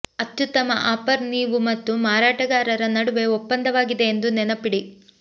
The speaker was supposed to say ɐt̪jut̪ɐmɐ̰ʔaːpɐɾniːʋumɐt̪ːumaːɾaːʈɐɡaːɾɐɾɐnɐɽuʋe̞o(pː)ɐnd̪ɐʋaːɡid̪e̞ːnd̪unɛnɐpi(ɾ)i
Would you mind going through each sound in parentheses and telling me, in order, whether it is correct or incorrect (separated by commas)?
correct, incorrect